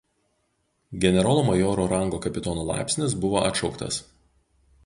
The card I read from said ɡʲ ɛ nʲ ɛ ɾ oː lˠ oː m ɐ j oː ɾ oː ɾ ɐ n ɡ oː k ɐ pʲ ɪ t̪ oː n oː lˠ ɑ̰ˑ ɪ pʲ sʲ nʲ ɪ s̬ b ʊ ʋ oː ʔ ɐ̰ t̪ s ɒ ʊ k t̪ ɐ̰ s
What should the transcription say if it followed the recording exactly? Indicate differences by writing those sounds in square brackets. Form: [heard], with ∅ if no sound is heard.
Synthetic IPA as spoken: ɡʲ ɛ nʲ ɛ ɾ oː lˠ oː m ɐ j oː ɾ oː ɾ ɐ [ŋ] ɡ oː k ɐ pʲ ɪ t̪ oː n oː lˠ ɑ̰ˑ ɪ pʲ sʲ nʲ ɪ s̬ b ʊ ʋ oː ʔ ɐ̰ t̪ [ʃ] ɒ ʊ k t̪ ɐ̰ s